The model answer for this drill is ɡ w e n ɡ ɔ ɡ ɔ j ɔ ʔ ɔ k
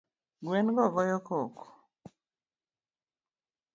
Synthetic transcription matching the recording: ɡ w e n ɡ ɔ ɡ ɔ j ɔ k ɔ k